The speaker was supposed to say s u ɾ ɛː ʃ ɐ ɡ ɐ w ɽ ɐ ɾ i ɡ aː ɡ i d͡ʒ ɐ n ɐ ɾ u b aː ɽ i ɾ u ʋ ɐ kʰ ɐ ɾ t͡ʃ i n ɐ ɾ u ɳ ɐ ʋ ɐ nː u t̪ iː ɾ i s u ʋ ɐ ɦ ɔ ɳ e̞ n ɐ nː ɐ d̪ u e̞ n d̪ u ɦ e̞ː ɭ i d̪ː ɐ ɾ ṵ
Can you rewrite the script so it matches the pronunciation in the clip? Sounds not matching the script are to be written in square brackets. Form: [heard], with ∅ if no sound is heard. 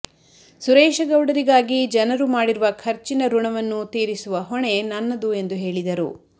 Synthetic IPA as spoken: s u ɾ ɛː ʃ ɐ ɡ ɐ w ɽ ɐ ɾ i ɡ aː ɡ i d͡ʒ ɐ n ɐ ɾ u [m] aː ɽ i ɾ u ʋ ɐ kʰ ɐ ɾ t͡ʃ i n ɐ ɾ u ɳ ɐ ʋ ɐ nː u t̪ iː ɾ i s u ʋ ɐ ɦ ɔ ɳ e̞ n ɐ nː ɐ d̪ u e̞ n d̪ u ɦ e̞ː ɭ i [d̪] ɐ ɾ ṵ